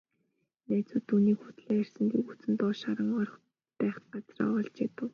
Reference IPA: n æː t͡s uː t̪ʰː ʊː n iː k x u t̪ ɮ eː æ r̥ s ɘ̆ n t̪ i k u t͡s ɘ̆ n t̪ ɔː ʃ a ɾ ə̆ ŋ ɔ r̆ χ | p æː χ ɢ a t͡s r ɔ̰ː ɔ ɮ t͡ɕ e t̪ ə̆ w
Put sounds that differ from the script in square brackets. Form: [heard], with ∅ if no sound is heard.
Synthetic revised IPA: n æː t͡s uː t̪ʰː [uː] n iː k x u t̪ ɮ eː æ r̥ s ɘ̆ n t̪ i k u t͡s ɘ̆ n t̪ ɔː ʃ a ɾ ə̆ ŋ ɔ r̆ χ | p æː χ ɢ a t͡s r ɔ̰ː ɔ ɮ t͡ɕ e t̪ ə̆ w